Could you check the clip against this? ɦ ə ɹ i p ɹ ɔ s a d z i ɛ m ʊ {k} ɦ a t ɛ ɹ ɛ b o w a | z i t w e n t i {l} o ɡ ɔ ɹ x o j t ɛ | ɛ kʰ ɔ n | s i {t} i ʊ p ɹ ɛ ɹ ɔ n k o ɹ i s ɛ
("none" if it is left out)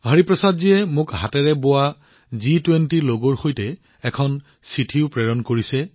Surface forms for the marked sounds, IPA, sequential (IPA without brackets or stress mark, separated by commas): k, l, tʰ